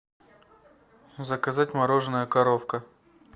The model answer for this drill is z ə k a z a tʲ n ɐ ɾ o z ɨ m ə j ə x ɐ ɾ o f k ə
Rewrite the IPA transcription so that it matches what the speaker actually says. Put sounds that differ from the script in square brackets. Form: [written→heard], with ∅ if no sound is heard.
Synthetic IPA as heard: z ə k [a→ɐ] z a tʲ [n→m] ɐ ɾ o [z→ʐ] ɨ [m→n] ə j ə [x→k] ɐ ɾ o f k ə